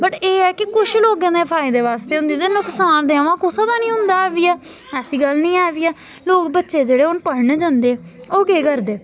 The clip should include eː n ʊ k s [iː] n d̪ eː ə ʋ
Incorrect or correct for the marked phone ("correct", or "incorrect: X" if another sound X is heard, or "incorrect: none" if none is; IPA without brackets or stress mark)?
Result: incorrect: aː